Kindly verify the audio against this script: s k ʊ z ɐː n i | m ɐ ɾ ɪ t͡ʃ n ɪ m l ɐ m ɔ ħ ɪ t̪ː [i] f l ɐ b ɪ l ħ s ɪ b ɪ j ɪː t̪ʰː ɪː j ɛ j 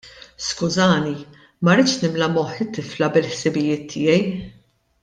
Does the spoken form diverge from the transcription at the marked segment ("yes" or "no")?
yes